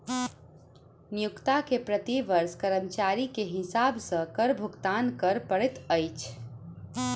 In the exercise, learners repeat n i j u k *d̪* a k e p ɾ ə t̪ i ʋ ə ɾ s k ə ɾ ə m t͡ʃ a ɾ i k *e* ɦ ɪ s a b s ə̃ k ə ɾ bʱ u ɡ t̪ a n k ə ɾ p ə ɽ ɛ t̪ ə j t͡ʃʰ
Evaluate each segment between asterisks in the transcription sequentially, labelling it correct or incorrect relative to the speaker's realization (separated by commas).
incorrect, correct